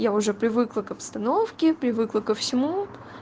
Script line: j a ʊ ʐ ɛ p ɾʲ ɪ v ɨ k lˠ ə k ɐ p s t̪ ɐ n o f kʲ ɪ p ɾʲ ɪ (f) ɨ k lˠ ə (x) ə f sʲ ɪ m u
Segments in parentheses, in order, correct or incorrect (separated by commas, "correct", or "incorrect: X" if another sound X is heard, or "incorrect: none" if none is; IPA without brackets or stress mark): incorrect: v, incorrect: k